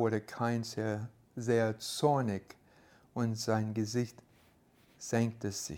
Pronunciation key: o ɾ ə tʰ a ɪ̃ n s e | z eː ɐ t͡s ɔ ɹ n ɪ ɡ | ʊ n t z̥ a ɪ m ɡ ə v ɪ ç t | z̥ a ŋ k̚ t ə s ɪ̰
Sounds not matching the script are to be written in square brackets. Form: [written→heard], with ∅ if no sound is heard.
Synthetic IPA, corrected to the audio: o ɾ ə [tʰ→kʰ] a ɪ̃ n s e | z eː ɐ t͡s ɔ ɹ n ɪ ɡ | ʊ n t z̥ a ɪ [m→n] ɡ ə [v→z] ɪ ç t | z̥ [a→ɛ] ŋ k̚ t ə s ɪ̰